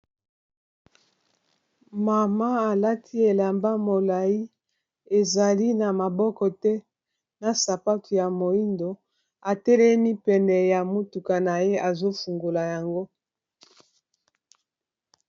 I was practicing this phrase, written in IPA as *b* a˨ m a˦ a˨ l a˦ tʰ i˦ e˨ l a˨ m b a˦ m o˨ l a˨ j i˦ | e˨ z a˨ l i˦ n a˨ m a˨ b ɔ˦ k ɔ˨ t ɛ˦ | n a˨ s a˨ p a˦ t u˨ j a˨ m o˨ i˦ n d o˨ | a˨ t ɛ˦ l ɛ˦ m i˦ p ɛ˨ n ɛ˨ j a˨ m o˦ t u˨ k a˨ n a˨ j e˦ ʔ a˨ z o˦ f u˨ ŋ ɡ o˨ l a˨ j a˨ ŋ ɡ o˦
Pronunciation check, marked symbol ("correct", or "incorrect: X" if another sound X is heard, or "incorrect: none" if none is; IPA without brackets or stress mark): incorrect: m